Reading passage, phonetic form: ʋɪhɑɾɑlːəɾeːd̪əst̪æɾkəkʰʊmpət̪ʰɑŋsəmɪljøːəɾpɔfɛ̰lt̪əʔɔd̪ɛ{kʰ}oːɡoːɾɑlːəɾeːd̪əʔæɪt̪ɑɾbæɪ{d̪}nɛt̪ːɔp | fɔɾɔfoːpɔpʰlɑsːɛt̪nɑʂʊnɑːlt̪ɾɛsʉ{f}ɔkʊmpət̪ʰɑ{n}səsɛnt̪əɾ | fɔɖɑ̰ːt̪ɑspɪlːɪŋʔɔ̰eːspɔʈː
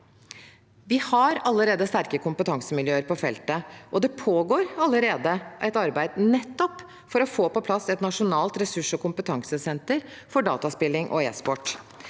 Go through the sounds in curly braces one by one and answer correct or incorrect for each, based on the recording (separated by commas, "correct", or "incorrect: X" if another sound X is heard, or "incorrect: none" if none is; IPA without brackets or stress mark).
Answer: incorrect: pʰ, correct, incorrect: ʂ, incorrect: ŋ